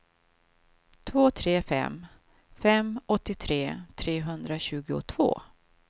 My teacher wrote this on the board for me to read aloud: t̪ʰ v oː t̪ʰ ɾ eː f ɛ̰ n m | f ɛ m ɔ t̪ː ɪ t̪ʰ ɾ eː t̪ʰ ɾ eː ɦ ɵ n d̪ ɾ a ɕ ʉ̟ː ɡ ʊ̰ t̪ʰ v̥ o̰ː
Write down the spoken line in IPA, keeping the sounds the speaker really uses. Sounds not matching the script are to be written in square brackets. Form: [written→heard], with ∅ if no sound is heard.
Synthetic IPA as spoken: t̪ʰ v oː t̪ʰ ɾ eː f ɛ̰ [n→∅] m | f ɛ m ɔ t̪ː ɪ t̪ʰ ɾ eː t̪ʰ ɾ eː ɦ ɵ n d̪ ɾ a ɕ ʉ̟ː ɡ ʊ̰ t̪ʰ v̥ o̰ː